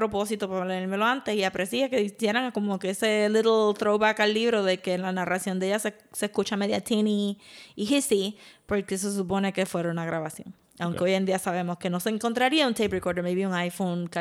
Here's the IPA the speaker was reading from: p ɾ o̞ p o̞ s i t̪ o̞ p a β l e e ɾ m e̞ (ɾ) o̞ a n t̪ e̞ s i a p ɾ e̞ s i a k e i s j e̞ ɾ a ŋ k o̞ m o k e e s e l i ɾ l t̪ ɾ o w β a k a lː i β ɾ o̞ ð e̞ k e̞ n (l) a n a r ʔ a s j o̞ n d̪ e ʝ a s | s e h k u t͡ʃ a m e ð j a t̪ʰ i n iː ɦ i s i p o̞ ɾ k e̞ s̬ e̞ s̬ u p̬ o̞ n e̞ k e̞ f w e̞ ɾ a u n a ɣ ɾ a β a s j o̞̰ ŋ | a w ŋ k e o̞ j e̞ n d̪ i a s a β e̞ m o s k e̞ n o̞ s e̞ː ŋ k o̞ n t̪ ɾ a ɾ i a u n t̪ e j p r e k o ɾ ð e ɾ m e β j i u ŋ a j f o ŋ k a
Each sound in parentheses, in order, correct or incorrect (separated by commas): incorrect, correct